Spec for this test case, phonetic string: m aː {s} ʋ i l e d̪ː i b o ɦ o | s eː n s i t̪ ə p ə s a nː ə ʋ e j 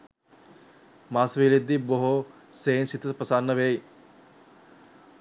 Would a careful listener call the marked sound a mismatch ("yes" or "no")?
no